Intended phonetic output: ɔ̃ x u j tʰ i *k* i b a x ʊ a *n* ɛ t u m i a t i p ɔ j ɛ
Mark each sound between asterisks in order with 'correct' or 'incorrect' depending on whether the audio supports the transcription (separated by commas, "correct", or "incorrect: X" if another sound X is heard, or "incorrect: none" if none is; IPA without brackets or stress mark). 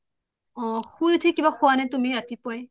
correct, correct